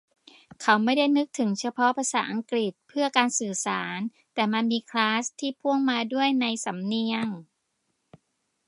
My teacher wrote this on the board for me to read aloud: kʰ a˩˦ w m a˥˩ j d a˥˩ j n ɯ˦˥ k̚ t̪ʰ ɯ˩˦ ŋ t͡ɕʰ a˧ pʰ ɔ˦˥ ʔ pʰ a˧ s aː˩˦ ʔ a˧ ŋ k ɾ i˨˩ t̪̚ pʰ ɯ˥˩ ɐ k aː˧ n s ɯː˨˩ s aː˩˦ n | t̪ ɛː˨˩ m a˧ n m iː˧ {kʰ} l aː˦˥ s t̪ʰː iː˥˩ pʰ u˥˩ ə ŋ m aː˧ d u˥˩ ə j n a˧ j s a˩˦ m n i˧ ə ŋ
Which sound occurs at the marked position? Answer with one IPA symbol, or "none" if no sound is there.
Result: kʰ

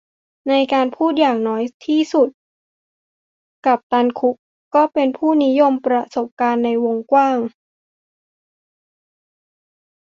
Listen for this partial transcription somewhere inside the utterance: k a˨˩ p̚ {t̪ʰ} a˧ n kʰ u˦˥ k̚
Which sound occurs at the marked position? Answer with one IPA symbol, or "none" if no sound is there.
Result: t̪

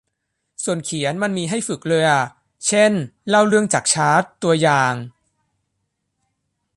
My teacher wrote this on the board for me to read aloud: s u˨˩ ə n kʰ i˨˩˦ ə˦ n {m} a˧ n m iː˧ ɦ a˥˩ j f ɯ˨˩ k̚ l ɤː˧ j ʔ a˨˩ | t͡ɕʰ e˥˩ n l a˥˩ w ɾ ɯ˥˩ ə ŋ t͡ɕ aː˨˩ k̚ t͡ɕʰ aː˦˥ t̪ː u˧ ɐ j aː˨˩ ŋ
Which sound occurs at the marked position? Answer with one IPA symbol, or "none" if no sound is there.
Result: m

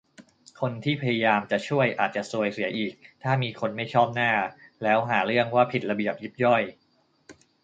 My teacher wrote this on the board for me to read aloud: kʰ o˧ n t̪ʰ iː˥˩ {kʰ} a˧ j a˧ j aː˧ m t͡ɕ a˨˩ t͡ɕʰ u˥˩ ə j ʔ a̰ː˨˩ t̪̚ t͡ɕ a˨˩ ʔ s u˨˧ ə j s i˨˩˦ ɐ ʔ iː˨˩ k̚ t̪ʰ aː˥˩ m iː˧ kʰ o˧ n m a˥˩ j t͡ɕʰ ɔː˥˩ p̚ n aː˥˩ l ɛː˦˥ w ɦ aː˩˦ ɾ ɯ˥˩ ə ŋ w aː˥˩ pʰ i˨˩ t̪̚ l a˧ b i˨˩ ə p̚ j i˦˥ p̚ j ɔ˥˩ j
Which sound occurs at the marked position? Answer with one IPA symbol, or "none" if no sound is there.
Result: pʰ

